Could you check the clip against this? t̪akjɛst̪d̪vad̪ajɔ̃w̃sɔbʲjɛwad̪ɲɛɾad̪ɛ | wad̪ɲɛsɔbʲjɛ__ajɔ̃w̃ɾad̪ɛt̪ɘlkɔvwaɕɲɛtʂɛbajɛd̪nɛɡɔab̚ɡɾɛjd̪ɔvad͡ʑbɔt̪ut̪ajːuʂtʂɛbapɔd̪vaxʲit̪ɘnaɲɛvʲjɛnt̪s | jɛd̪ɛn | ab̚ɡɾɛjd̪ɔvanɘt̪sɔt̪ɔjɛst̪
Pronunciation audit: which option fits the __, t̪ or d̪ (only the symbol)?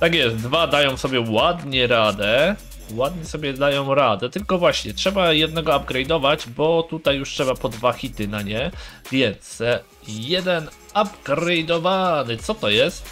d̪